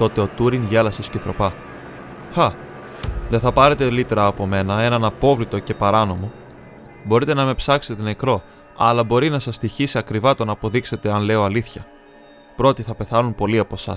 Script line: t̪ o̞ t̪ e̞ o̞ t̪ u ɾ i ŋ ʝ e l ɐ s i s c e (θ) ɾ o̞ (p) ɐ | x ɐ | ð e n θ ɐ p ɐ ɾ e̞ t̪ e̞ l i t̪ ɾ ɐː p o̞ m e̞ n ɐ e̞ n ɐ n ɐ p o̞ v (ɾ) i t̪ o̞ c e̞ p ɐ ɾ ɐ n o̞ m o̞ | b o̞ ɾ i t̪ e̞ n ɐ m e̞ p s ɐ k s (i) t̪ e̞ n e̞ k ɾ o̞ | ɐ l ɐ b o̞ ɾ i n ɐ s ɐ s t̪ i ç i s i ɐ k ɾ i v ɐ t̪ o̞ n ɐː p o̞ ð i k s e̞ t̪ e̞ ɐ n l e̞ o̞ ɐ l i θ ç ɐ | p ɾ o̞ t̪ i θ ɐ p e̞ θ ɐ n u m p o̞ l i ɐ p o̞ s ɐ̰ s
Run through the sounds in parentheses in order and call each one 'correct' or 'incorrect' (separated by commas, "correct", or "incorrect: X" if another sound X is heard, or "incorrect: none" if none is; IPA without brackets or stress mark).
correct, correct, incorrect: l, incorrect: e